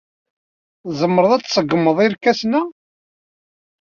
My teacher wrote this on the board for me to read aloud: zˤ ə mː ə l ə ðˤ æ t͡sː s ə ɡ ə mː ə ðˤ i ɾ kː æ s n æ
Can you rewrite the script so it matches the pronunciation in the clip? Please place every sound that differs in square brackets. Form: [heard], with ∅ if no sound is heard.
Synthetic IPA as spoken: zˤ ə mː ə [ɾ] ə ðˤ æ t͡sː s ə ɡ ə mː ə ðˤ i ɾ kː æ s n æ